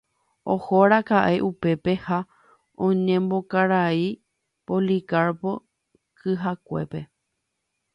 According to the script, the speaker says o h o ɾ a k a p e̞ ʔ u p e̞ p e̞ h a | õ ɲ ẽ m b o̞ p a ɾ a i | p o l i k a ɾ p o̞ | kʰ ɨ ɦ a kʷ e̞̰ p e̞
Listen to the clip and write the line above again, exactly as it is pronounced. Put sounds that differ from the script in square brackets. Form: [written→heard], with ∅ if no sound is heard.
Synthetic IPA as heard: o h o ɾ a k a [p→ʔ] e̞ ʔ u p e̞ p e̞ h a | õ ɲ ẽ m b o̞ [p→k] a ɾ a i | p o l i k a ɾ p o̞ | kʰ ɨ ɦ a kʷ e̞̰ p e̞